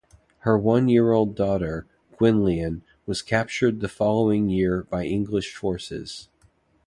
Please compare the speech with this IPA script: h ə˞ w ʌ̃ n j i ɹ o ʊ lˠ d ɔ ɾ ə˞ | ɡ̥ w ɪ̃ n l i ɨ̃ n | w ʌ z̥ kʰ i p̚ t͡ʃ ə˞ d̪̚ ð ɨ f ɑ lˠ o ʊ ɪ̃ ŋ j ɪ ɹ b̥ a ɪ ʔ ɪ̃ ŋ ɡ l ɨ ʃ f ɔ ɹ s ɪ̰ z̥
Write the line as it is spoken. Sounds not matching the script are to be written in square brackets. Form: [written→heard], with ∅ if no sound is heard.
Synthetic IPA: h ə˞ w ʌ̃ n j [i→ɪ] ɹ o ʊ lˠ d ɔ ɾ ə˞ | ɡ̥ w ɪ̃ n l i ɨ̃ n | w ʌ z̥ kʰ [i→æ] p̚ t͡ʃ ə˞ d̪̚ ð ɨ f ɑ lˠ o ʊ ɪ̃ ŋ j ɪ ɹ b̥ a ɪ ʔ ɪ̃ ŋ ɡ l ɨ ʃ f ɔ ɹ s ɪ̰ z̥